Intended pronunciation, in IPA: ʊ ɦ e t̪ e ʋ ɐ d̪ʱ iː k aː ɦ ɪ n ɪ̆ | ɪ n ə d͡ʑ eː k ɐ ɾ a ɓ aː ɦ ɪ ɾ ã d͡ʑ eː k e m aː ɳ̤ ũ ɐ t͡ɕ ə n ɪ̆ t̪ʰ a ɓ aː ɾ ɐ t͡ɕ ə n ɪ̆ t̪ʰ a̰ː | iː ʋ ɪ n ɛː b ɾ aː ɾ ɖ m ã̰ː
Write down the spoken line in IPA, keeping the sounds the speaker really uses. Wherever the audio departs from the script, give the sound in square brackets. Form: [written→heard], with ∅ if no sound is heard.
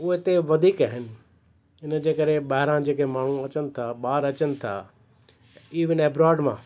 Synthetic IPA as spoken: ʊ ɦ e t̪ e ʋ ɐ d̪ʱ iː k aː ɦ ɪ n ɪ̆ | ɪ n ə d͡ʑ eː k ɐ ɾ [a→e] ɓ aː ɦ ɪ ɾ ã d͡ʑ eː k e m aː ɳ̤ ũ ɐ t͡ɕ ə n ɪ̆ t̪ʰ a ɓ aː ɾ ɐ t͡ɕ ə n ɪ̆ t̪ʰ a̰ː | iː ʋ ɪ n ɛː b ɾ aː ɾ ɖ m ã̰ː